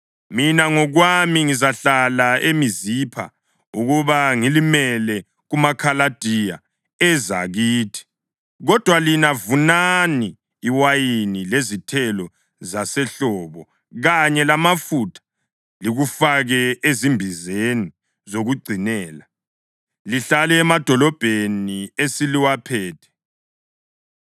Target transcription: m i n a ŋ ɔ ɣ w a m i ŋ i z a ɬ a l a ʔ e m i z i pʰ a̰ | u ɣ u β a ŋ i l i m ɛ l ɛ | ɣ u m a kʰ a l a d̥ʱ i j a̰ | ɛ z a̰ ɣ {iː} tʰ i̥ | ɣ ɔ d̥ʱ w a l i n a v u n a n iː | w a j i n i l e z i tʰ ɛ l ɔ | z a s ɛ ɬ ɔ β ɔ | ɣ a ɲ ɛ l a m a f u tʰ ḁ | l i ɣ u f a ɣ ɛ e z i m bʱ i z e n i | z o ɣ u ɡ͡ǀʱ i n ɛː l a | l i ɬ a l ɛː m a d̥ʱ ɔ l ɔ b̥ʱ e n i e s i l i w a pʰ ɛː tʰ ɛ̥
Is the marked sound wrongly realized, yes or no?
no